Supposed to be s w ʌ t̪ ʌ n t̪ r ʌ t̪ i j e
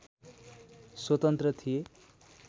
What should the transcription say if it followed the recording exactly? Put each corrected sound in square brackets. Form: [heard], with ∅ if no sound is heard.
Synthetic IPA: s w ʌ t̪ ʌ n t̪ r ʌ [t̪ʰ] i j e

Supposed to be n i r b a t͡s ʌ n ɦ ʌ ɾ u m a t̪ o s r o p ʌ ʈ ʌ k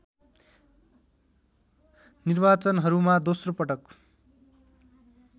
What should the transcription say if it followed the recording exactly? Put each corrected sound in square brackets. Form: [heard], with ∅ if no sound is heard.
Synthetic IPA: n i r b a t͡s ʌ n ɦ ʌ ɾ u m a [d̪] o s r o p ʌ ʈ ʌ k

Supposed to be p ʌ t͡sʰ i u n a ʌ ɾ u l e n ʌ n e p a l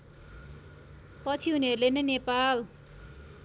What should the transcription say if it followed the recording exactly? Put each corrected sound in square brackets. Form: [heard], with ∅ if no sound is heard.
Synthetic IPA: p ʌ t͡sʰ i u n [i] ʌ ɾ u l e n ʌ n e p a l

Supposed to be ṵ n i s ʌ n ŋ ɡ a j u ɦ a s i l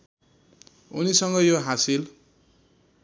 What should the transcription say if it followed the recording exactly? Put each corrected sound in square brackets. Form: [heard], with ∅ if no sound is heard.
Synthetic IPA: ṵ n i s ʌ [∅] ŋ ɡ [ʌ] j [o] ɦ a s i l

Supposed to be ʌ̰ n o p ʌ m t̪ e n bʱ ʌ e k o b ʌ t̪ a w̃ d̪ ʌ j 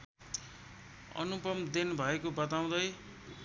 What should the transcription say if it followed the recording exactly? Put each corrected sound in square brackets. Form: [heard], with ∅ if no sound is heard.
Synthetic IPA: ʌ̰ n [u] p ʌ m [d̪] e n bʱ ʌ e k o b ʌ t̪ a w̃ d̪ ʌ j

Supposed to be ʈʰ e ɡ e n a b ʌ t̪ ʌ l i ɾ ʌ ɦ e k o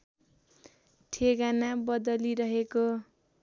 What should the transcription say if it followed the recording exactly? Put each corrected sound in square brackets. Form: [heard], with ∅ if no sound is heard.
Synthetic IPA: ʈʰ e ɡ [a] n a b ʌ [d̪] ʌ l i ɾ ʌ ɦ e k o

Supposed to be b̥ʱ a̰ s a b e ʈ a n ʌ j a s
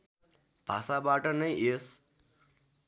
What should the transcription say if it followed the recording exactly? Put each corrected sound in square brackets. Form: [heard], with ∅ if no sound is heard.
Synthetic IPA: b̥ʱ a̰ s a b [a] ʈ [ʌ] n ʌ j [e] s

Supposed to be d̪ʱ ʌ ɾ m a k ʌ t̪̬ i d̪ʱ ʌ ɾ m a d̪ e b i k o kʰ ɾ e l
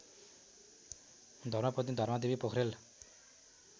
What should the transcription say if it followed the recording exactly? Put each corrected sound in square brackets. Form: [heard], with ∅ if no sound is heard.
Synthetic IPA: d̪ʱ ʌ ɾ m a [p] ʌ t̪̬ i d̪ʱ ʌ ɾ m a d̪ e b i [p] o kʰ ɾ e l

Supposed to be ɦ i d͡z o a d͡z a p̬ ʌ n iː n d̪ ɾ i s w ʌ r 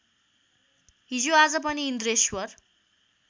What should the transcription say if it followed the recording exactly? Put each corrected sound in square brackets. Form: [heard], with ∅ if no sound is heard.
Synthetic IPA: ɦ i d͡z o a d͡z [ʌ] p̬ ʌ n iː n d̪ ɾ [e] s w ʌ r

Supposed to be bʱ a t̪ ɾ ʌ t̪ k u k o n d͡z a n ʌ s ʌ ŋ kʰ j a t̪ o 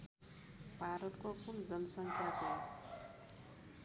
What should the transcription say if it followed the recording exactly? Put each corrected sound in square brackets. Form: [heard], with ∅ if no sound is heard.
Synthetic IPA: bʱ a [∅] ɾ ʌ t̪ k [o] k [u] n d͡z [ʌ] n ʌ s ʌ ŋ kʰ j a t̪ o

